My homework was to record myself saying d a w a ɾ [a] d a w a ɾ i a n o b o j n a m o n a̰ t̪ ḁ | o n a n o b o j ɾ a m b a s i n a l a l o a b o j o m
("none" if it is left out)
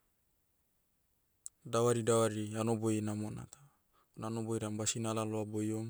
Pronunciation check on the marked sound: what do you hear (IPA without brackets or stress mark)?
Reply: i